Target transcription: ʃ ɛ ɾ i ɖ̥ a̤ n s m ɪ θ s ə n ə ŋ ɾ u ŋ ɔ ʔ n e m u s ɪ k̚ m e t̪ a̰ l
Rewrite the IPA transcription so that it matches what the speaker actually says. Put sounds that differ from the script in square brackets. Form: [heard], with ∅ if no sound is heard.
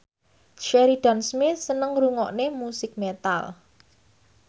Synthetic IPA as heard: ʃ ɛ ɾ i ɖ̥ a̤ n s m ɪ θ s ə n ə ŋ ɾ u ŋ ɔ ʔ n e m u s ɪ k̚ m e t̪ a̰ l